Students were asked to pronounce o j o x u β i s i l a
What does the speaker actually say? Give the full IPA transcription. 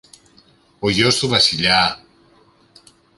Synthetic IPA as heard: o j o s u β a s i ʎ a